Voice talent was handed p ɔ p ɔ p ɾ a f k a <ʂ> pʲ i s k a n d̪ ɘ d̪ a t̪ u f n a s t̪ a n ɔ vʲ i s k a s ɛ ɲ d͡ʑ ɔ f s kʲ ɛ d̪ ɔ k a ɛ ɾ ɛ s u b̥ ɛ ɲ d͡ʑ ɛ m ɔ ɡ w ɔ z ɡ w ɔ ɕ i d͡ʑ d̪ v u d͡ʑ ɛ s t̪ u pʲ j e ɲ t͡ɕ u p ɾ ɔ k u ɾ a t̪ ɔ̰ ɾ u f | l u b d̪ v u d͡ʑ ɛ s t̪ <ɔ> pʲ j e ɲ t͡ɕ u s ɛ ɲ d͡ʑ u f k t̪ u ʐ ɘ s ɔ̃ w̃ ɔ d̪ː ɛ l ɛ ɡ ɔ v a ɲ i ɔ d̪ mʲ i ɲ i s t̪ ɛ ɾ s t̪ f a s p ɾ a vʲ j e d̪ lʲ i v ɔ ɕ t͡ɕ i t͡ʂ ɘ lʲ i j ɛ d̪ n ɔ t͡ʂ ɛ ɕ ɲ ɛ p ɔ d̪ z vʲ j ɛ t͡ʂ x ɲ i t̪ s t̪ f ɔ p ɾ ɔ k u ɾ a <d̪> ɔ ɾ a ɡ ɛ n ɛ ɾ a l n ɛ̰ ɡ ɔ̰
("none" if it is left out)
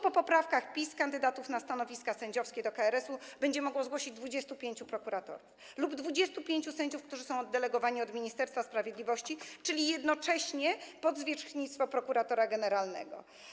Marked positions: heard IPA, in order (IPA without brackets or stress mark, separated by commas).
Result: x, u, t̪